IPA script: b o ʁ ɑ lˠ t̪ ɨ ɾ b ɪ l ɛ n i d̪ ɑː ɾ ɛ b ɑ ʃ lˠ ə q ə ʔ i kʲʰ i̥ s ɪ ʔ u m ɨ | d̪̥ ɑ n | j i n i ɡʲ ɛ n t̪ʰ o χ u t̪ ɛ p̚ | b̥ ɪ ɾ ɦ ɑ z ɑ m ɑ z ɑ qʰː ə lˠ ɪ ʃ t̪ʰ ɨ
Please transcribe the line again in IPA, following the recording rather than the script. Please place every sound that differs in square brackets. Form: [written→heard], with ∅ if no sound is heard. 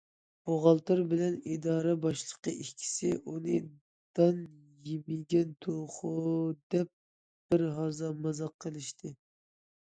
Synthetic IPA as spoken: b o ʁ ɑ lˠ t̪ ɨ ɾ b ɪ l ɛ n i d̪ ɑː ɾ ɛ b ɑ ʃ lˠ ə q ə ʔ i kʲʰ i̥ s ɪ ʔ u [m→n] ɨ | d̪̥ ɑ n | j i [n→m] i ɡʲ ɛ n t̪ʰ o χ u [t̪→d̪] ɛ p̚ | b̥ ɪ ɾ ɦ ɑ z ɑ m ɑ z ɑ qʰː ə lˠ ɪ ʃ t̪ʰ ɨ